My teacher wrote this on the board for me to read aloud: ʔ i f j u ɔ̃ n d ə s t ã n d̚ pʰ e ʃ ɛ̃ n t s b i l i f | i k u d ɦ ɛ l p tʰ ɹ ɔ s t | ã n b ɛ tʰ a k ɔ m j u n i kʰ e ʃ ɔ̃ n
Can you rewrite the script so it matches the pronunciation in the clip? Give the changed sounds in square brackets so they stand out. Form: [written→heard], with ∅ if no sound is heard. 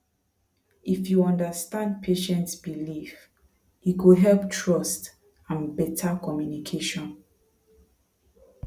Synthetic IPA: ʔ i f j u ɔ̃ n d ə s t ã n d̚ pʰ e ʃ ɛ̃ n t s b i l i f | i k u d ɦ ɛ l p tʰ ɹ ɔ s t | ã n b ɛ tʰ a k ɔ m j u n i kʰ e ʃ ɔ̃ n